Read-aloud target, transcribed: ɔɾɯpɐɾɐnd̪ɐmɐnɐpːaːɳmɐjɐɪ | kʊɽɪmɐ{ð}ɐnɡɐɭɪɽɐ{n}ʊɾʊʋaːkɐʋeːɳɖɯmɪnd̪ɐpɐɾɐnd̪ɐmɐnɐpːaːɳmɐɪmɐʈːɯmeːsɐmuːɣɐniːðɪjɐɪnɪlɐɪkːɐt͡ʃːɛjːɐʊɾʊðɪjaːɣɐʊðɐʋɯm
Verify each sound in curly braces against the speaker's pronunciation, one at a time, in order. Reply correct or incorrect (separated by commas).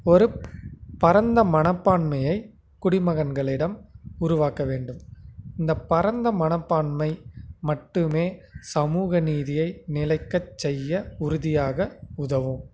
incorrect, incorrect